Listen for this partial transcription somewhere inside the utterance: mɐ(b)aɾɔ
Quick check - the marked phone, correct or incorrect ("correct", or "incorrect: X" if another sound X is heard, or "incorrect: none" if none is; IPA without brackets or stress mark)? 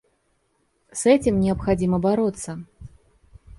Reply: correct